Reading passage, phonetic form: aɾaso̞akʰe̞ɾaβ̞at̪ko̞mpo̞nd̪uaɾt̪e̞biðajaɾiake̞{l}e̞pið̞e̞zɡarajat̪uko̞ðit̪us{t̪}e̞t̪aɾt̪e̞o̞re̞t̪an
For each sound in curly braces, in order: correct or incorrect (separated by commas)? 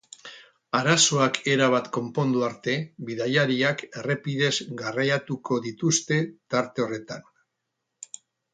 incorrect, correct